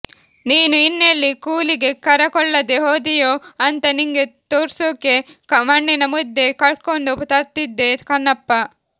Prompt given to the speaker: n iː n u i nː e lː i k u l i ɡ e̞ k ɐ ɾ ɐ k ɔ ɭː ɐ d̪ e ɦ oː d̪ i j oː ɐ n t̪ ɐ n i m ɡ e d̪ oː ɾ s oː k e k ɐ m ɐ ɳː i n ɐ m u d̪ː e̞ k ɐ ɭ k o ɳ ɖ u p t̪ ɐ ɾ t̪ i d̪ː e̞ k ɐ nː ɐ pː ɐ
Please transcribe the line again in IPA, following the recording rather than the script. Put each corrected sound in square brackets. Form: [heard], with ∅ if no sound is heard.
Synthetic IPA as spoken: n iː n u i nː e lː i k [uː] l i ɡ e̞ k ɐ ɾ ɐ k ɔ ɭː ɐ d̪ e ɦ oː d̪ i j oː ɐ n t̪ ɐ n i [ŋ] ɡ e [t̪] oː ɾ s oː k e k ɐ m ɐ ɳː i n ɐ m u d̪ː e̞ k ɐ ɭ k o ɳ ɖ u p t̪ ɐ ɾ t̪ i d̪ː e̞ k ɐ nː ɐ pː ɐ